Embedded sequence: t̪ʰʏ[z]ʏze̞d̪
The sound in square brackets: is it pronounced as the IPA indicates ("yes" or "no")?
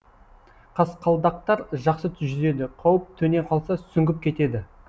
no